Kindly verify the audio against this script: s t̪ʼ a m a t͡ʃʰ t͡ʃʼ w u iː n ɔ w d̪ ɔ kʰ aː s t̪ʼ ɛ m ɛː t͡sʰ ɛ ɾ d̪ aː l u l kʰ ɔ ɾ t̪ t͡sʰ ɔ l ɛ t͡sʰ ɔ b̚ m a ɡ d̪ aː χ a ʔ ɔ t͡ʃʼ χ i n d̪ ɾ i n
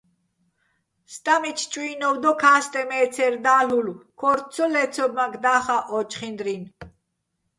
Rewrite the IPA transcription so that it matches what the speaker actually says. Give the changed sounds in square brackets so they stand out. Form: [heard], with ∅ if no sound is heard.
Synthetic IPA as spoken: s t̪ʼ a m [i] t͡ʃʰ t͡ʃʼ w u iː n ɔ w d̪ ɔ kʰ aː s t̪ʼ ɛ m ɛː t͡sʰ ɛ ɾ d̪ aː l u l kʰ ɔ ɾ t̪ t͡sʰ ɔ l ɛ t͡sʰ ɔ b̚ m a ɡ d̪ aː χ a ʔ ɔ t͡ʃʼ χ i n d̪ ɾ i n

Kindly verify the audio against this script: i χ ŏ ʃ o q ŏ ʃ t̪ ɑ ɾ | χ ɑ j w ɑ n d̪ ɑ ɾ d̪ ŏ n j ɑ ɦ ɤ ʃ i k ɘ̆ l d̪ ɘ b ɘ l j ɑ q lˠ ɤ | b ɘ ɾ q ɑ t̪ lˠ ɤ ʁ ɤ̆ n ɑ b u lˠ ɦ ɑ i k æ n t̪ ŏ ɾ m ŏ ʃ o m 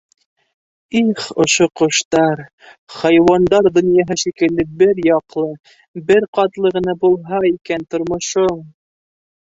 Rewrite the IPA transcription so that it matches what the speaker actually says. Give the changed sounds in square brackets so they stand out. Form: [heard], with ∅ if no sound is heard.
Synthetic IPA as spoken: i χ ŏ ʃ o q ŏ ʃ t̪ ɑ ɾ | χ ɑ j w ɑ n d̪ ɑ ɾ d̪ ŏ n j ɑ ɦ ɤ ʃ i k ɘ̆ l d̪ ɘ b ɘ [ɾ] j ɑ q lˠ ɤ | b ɘ ɾ q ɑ t̪ lˠ ɤ ʁ ɤ̆ n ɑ b u lˠ ɦ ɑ i k æ n t̪ ŏ ɾ m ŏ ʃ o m

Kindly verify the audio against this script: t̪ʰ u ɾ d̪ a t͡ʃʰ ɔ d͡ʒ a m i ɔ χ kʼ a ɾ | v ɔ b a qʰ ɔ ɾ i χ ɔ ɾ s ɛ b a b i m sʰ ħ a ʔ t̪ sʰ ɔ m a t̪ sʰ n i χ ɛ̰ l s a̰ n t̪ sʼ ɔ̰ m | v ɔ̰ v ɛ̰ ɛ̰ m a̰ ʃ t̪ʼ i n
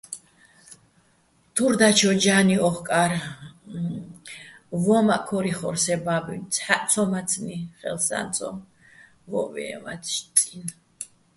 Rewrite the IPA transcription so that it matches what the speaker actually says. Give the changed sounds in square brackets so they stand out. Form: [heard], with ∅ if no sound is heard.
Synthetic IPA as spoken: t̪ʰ u ɾ d̪ a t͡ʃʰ ɔ d͡ʒ a [n] i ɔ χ kʼ a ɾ | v ɔ [m] a [kʰ] ɔ ɾ i χ ɔ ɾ s ɛ b a b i [n] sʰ ħ a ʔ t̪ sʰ ɔ m a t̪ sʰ n i χ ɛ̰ l s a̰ n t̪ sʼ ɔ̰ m | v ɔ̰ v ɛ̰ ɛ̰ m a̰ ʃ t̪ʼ i n

